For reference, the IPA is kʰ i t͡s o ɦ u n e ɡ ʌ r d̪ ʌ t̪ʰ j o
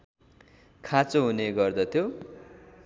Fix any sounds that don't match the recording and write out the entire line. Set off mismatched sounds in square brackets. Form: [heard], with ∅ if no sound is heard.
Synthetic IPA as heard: kʰ [a] t͡s o ɦ u n e ɡ ʌ r d̪ ʌ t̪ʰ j o